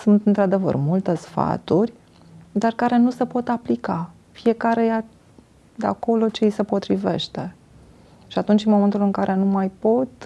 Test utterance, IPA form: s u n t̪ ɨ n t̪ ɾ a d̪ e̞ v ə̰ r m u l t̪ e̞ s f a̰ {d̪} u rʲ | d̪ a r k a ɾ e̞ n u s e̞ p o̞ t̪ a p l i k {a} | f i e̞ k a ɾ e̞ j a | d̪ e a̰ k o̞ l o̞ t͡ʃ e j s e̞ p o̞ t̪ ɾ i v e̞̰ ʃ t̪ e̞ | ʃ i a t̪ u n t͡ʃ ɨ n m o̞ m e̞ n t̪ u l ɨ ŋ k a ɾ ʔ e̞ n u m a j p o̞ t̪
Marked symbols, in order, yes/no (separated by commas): no, yes